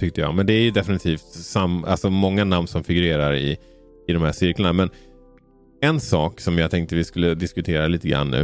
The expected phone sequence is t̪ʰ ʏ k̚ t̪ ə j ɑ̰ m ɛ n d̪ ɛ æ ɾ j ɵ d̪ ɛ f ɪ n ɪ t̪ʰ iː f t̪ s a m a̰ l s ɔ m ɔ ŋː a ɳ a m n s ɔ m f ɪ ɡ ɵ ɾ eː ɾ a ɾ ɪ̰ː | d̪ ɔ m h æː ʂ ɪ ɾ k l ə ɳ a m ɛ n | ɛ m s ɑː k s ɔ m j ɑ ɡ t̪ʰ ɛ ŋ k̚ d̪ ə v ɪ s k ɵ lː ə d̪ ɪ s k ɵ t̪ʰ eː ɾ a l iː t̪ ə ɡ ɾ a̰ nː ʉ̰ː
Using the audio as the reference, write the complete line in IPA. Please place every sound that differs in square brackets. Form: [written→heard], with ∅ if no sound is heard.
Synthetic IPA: t̪ʰ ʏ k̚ t̪ ə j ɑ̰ m ɛ n d̪ ɛ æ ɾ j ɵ d̪ ɛ f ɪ n ɪ t̪ʰ iː f t̪ s a m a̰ l s ɔ m ɔ ŋː a [ɳ→n] a m n s ɔ m f ɪ ɡ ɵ ɾ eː ɾ a ɾ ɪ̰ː | d̪ ɔ m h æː ʂ ɪ ɾ k l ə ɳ a m ɛ n | ɛ [m→n] s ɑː k s ɔ m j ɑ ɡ t̪ʰ ɛ ŋ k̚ [d̪→t̪] ə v ɪ s k ɵ lː ə d̪ ɪ s k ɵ t̪ʰ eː ɾ a l iː t̪ ə ɡ ɾ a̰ nː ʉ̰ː